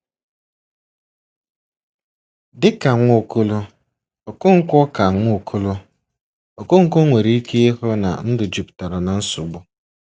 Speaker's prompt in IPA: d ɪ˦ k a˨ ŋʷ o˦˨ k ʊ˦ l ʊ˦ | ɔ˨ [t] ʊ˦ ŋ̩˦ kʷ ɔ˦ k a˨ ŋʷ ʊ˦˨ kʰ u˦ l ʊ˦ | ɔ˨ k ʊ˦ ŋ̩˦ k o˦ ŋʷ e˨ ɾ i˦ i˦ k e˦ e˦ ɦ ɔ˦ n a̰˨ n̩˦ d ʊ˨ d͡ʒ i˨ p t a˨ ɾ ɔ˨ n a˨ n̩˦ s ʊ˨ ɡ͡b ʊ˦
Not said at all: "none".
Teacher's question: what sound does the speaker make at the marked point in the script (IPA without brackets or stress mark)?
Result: k